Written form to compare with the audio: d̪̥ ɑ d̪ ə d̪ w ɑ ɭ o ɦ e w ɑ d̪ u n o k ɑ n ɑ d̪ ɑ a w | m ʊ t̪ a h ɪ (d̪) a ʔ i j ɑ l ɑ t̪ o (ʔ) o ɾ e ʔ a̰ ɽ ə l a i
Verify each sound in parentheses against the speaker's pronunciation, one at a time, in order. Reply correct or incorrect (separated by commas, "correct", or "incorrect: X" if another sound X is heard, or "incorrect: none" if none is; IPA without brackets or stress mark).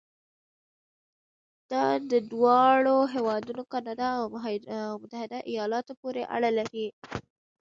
correct, incorrect: p